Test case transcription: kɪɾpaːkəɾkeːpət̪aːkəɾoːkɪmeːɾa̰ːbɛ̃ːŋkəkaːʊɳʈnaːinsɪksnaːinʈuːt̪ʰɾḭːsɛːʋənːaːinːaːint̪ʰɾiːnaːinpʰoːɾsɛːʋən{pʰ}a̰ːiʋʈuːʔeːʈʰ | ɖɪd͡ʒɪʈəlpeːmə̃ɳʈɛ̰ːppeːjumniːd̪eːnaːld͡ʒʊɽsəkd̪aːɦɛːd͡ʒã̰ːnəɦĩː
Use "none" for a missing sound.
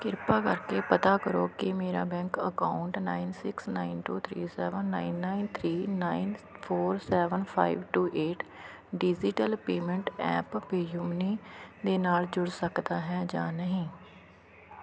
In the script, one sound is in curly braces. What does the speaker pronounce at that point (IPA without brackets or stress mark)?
pʰ